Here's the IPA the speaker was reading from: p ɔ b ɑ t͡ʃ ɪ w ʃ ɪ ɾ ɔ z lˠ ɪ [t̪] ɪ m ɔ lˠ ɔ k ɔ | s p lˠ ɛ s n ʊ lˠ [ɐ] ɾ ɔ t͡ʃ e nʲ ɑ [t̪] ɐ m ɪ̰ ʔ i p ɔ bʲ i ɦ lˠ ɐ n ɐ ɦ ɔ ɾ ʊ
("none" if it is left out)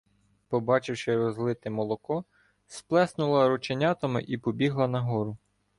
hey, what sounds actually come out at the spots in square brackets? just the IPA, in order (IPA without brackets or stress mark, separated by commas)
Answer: t̪, ɐ, t̪